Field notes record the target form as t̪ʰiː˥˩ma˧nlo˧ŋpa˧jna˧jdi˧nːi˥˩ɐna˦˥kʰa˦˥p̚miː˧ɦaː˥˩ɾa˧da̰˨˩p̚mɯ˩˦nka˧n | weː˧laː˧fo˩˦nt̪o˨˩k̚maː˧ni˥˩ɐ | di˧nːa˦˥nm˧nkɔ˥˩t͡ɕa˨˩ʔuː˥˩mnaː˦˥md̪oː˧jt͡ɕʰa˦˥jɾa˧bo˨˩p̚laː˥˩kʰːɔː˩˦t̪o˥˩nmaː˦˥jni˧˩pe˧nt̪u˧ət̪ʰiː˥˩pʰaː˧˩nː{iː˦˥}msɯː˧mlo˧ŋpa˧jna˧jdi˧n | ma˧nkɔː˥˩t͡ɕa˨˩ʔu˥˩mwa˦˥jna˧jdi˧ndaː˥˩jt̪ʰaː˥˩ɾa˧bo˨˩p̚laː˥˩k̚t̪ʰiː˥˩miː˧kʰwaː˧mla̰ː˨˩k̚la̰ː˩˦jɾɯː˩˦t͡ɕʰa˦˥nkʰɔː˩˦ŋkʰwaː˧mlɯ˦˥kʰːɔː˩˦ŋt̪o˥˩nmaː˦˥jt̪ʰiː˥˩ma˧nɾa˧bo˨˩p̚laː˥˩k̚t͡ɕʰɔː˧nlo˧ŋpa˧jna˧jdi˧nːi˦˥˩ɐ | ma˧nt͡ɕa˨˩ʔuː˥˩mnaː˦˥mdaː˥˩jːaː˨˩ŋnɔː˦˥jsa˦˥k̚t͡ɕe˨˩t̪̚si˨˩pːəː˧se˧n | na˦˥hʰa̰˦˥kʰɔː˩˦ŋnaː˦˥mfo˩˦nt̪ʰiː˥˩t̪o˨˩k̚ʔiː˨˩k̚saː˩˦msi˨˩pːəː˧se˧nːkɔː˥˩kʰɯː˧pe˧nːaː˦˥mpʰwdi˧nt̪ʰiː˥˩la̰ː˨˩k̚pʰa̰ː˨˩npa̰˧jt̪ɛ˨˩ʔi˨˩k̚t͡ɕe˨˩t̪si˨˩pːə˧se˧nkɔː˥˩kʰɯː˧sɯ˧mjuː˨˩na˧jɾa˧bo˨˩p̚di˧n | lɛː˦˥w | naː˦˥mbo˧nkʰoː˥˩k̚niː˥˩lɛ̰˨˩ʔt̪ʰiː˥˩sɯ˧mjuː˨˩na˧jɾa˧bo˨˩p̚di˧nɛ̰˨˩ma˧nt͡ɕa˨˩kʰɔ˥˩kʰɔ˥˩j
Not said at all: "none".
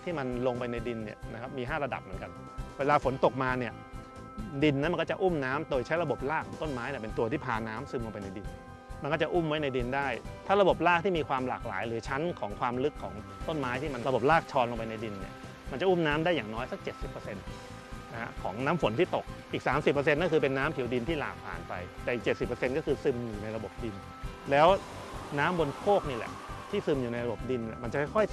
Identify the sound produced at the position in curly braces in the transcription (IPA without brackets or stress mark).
aː˦˥